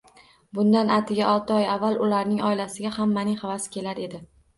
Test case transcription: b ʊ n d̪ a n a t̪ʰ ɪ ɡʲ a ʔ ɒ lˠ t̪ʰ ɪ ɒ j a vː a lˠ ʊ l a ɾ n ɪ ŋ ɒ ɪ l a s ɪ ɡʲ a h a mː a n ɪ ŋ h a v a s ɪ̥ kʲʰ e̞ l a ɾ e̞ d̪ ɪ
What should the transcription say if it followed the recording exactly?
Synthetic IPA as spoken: b ʊ n d̪ a n a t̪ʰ ɪ ɡʲ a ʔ ɒ lˠ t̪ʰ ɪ ɒ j a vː a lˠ ʊ l a ɾ n ɪ ŋ ɒ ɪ l a s ɪ ɡʲ a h a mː a n ɪ ŋ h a v a s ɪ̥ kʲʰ e̞ l a ɾ e̞ d̪ ɪ